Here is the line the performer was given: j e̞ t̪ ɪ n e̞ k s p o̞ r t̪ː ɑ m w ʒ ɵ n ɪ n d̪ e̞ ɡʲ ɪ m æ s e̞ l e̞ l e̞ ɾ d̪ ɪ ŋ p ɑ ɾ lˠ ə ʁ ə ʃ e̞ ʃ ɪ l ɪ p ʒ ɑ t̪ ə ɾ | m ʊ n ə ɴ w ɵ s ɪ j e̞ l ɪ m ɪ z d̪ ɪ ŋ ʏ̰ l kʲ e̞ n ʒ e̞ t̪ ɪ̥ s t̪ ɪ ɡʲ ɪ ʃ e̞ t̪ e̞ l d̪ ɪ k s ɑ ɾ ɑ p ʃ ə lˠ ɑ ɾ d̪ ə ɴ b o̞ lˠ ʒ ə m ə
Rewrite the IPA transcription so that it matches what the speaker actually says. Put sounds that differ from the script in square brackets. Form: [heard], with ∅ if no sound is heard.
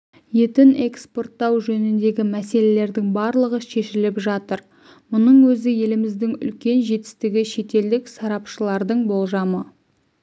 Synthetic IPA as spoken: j e̞ t̪ ɪ n e̞ k s p o̞ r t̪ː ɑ [∅] w ʒ ɵ n ɪ n d̪ e̞ ɡʲ ɪ m æ s e̞ l e̞ l e̞ ɾ d̪ ɪ ŋ [b] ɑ ɾ lˠ ə ʁ ə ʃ e̞ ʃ ɪ l ɪ p ʒ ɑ t̪ ə ɾ | m ʊ n ə ɴ w ɵ [z] ɪ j e̞ l ɪ m ɪ z d̪ ɪ ŋ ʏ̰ l kʲ e̞ n ʒ e̞ t̪ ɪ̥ s t̪ ɪ ɡʲ ɪ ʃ e̞ t̪ e̞ l d̪ ɪ k s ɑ ɾ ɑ p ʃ ə lˠ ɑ ɾ d̪ ə ɴ b o̞ lˠ ʒ [ɑ] m ə